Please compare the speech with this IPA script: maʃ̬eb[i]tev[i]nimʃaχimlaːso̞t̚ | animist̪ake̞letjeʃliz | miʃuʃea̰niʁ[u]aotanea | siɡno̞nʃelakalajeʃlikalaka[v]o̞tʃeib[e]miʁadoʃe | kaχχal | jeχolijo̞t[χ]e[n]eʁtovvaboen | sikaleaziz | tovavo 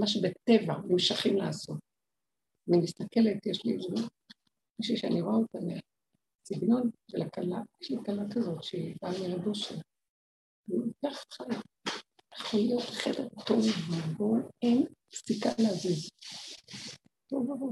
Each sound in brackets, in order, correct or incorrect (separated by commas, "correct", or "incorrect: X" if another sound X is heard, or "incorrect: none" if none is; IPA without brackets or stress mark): incorrect: e, incorrect: a, incorrect: o, incorrect: z, incorrect: a, correct, incorrect: d